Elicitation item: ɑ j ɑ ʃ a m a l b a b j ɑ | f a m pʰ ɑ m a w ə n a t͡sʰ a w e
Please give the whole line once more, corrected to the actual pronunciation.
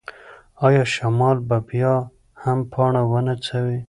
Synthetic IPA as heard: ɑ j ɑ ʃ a m ɑ l b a b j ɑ | h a m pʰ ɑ ɳ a w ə n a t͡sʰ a w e